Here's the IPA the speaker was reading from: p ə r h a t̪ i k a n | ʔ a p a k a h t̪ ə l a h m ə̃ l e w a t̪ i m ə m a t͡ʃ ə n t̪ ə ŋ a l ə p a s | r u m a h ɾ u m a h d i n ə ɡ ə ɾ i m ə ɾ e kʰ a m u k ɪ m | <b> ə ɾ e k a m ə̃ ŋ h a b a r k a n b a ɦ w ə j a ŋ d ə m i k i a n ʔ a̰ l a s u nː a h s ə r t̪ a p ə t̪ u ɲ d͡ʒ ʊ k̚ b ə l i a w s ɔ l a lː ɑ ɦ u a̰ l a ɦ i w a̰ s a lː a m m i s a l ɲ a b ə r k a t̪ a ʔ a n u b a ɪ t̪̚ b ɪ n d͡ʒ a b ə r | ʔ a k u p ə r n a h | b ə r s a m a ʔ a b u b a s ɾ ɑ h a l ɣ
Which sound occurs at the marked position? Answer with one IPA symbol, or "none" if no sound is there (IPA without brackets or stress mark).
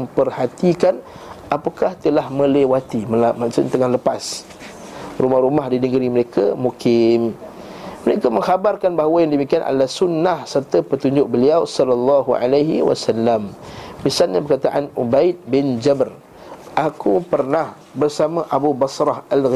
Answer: m